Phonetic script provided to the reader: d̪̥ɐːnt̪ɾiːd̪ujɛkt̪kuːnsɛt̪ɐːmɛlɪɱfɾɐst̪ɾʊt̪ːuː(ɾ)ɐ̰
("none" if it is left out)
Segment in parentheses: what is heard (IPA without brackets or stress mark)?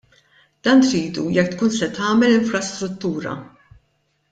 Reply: ɾ